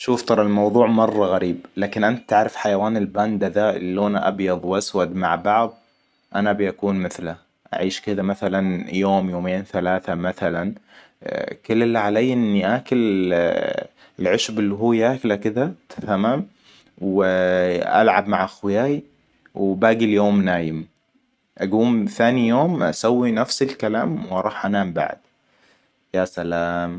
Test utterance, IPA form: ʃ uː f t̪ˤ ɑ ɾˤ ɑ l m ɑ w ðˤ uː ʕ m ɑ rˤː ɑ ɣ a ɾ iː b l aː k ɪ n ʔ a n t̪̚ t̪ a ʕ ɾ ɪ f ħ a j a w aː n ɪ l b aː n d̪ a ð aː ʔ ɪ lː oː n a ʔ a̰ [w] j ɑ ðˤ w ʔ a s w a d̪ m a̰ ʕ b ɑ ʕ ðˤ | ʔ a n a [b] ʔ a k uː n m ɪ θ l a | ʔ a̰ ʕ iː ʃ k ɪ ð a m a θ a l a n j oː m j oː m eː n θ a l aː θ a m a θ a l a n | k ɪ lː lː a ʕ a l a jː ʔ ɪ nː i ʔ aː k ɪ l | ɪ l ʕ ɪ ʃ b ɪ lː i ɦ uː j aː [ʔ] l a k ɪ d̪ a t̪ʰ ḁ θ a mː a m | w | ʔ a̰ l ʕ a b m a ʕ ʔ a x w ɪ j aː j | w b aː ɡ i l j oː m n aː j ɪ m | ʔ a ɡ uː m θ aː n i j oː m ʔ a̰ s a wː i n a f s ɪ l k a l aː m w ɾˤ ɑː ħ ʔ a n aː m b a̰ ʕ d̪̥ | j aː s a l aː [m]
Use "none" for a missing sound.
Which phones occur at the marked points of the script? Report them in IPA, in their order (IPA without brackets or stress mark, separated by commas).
b, b, k, m